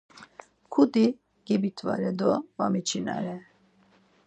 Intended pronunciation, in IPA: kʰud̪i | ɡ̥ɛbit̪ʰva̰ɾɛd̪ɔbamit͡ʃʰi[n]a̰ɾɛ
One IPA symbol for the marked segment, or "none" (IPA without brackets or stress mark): n